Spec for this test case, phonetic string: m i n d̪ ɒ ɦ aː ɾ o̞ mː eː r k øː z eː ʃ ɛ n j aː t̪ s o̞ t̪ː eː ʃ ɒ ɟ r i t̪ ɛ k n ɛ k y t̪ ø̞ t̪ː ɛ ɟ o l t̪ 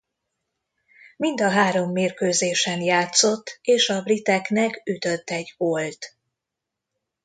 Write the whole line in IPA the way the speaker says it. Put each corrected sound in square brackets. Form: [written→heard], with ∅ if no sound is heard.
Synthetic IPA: m i n d̪ ɒ ɦ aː ɾ o̞ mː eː r k øː z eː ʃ ɛ n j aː t̪ s o̞ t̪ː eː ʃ ɒ [ɟ→b] r i t̪ ɛ k n ɛ k y t̪ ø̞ t̪ː ɛ ɟ o l t̪